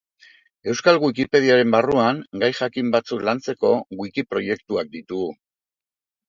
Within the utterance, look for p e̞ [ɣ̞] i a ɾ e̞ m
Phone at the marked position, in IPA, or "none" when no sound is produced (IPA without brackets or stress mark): ð̞